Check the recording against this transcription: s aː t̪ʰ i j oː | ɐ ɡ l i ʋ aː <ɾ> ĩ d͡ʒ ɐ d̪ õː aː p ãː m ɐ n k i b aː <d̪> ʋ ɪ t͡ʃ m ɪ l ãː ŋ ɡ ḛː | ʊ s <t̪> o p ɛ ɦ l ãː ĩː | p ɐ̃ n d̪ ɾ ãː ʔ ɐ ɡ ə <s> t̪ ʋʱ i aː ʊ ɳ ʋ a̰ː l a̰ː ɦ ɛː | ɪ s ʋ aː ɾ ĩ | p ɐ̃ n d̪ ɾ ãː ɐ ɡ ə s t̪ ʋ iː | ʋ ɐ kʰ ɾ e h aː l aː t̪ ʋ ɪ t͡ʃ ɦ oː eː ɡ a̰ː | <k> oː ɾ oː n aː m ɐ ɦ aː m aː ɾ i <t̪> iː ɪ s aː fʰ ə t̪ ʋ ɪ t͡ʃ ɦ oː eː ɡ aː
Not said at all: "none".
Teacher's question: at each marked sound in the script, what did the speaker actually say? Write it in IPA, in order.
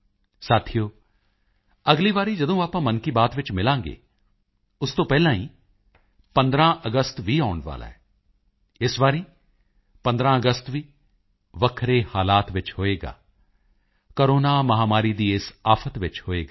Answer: ɾ, t̪, t̪, s, k, d̪

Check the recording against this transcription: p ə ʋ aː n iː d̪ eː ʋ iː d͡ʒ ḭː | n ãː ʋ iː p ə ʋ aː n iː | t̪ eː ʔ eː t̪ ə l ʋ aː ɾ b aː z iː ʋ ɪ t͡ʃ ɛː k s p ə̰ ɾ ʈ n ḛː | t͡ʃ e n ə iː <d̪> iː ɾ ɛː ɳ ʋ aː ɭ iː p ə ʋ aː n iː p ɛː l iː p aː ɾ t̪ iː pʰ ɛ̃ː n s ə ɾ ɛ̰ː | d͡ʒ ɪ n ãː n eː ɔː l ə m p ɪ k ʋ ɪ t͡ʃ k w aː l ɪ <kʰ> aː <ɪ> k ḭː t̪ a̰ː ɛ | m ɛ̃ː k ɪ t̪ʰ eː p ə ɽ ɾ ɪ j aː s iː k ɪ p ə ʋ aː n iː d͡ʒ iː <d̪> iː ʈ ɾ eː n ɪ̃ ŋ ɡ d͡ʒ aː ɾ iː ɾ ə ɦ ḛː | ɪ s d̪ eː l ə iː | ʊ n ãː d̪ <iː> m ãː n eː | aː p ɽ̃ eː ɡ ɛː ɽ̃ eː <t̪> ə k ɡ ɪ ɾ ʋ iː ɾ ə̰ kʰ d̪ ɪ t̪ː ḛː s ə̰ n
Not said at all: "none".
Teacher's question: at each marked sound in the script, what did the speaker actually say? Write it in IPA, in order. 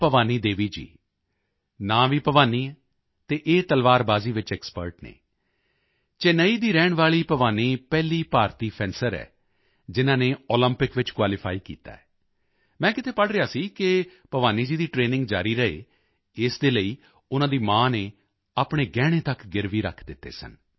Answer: d̪, pʰ, i, d̪, iː, t̪

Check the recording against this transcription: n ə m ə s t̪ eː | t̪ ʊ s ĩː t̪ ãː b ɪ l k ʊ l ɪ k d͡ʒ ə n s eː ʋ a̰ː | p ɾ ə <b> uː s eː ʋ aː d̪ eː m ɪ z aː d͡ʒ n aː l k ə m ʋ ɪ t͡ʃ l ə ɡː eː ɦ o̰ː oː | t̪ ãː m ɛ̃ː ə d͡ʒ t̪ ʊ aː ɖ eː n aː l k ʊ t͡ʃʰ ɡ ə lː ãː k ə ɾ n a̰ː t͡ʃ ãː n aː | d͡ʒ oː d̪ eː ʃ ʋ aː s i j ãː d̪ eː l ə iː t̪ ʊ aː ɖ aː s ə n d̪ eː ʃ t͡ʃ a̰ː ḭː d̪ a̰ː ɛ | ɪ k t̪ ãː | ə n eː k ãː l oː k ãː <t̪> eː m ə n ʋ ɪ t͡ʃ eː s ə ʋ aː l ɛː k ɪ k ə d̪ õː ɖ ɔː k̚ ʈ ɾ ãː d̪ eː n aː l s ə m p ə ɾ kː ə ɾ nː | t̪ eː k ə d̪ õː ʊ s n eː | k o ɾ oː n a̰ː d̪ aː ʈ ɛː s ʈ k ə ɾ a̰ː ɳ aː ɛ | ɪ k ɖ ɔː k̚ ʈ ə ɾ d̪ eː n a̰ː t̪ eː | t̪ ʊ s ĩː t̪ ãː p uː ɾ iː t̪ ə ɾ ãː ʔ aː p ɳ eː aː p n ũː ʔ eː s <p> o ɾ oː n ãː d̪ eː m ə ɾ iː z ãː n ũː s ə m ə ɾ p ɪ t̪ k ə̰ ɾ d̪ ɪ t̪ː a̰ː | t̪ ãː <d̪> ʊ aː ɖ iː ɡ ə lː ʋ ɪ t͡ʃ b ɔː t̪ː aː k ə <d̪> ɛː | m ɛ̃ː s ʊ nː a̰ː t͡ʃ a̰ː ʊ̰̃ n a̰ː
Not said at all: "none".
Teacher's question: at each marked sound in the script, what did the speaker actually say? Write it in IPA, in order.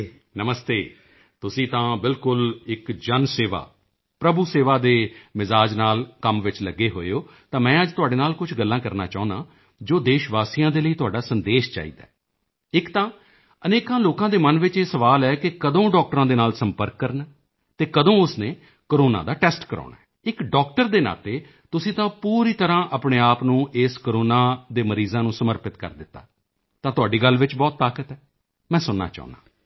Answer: b, d̪, k, t̪, t̪

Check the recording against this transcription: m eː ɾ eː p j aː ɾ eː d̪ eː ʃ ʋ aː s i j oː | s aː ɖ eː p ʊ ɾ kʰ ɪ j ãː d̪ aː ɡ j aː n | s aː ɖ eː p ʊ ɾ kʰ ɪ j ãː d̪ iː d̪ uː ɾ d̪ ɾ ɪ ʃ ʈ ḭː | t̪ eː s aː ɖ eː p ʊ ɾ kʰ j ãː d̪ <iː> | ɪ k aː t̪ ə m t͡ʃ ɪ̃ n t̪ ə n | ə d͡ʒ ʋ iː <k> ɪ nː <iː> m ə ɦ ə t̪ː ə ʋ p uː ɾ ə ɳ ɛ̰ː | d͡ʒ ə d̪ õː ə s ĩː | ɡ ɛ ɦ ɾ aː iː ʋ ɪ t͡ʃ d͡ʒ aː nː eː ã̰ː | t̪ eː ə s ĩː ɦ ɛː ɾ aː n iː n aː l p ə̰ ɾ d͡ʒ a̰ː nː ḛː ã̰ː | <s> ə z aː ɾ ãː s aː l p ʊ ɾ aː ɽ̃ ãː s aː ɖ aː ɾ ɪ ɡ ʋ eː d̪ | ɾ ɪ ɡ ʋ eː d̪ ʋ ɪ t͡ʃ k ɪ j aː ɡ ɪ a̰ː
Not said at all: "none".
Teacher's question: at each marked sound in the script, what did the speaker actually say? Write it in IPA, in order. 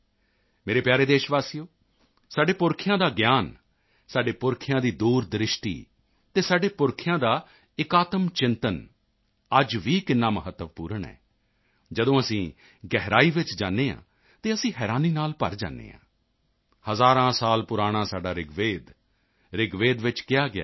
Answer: aː, k, aː, h

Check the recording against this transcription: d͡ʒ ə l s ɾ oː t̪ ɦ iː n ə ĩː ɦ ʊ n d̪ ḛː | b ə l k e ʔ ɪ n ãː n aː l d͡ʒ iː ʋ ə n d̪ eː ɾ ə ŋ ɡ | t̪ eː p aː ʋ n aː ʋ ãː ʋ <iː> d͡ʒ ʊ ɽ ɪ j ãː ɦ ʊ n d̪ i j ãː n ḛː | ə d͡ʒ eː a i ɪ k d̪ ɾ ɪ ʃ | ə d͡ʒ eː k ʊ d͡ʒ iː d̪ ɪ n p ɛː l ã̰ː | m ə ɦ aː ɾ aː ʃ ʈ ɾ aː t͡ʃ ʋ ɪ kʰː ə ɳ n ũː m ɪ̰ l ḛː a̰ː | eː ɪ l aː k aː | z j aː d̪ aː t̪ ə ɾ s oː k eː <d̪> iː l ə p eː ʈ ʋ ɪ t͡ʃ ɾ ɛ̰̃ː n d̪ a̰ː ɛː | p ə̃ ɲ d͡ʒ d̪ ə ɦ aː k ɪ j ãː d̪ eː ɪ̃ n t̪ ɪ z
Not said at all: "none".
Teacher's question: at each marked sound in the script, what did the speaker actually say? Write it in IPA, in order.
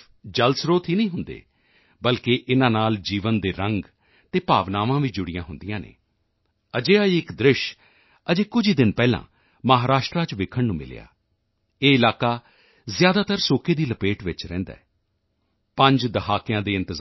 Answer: iː, d̪

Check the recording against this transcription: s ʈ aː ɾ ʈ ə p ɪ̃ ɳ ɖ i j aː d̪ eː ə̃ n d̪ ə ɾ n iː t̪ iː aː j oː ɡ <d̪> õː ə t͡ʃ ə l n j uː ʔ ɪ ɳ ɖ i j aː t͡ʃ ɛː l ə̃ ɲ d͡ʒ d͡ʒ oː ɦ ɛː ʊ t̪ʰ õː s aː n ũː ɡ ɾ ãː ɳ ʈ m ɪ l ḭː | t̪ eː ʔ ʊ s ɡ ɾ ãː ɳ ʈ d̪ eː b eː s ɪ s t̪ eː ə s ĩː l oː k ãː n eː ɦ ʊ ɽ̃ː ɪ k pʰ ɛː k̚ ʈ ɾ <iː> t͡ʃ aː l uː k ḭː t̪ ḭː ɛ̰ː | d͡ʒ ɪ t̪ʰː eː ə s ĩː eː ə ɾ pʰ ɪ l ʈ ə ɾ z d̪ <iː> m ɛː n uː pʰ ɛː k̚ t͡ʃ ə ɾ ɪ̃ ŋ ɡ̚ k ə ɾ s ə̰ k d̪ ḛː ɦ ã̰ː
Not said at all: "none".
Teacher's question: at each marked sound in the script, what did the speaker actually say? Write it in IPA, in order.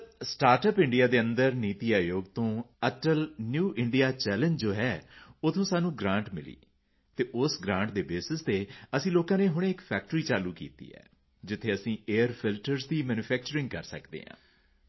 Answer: t̪, iː, iː

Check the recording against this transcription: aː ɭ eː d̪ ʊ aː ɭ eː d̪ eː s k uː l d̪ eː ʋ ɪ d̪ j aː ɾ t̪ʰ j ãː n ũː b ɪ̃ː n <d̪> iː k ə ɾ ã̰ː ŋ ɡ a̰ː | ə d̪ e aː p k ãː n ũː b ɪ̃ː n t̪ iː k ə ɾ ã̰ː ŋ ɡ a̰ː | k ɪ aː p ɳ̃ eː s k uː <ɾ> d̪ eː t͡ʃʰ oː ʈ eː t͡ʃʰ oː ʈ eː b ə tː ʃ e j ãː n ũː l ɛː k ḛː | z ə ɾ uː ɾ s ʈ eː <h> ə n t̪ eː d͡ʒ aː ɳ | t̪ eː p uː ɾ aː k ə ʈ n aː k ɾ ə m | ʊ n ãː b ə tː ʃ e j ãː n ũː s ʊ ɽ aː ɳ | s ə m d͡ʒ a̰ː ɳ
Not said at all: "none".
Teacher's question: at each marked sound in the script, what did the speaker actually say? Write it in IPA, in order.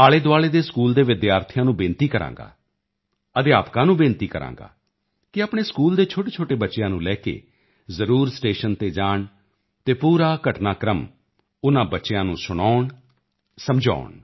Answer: t̪, l, ʃ

